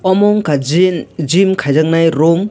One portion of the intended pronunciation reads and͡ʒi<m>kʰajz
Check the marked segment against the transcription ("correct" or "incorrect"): correct